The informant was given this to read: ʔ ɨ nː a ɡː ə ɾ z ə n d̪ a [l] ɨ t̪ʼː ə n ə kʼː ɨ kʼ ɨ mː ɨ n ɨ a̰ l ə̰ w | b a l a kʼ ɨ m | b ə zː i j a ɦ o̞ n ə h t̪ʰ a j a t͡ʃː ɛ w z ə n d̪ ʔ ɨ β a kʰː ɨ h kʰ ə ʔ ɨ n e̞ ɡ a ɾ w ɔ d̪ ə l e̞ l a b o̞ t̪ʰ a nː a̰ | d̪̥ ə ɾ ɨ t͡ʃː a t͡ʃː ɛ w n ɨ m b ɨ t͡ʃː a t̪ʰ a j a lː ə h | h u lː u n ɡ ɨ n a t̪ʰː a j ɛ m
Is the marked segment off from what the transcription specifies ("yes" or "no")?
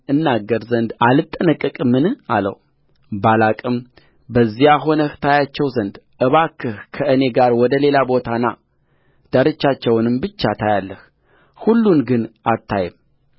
no